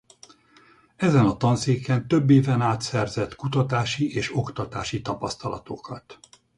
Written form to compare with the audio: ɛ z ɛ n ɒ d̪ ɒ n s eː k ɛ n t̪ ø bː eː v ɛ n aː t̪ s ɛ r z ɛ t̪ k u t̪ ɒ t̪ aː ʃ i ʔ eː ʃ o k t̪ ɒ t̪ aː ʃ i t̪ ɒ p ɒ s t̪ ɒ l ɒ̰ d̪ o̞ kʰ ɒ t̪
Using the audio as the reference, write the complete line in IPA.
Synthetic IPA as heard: ɛ z ɛ n ɒ t̪ ɒ n s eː k ɛ n t̪ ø bː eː v ɛ n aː t̪ s ɛ r z ɛ t̪ k u t̪ ɒ t̪ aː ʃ i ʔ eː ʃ o k t̪ ɒ t̪ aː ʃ i t̪ ɒ p ɒ s t̪ ɒ l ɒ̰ t̪ o̞ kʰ ɒ t̪